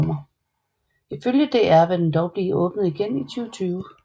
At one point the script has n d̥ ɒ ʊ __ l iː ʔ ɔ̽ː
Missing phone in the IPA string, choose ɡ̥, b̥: b̥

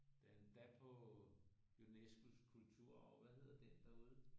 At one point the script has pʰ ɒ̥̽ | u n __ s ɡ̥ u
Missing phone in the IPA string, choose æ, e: e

